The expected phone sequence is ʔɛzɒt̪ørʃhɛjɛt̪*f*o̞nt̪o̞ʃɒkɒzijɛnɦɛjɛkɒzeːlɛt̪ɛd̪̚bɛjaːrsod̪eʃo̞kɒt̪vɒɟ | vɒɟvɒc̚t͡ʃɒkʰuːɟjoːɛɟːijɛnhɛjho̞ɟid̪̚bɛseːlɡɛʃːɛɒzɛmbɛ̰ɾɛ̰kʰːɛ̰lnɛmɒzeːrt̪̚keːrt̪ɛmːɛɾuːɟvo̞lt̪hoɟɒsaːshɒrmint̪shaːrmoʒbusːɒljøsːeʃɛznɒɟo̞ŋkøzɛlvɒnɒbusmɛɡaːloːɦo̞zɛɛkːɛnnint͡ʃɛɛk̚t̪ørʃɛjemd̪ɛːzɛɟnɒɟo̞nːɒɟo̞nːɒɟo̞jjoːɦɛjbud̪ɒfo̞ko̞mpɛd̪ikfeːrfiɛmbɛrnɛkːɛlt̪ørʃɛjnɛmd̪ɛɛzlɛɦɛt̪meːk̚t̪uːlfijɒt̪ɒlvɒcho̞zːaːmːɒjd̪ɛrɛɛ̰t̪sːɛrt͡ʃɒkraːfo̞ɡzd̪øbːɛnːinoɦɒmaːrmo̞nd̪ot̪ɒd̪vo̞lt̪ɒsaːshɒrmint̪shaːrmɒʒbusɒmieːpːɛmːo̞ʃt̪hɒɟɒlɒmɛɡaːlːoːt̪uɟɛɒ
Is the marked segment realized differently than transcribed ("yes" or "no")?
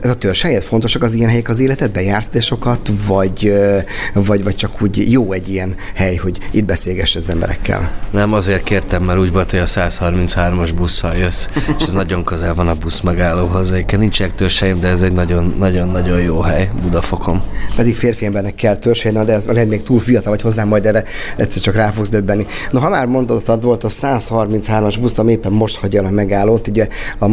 no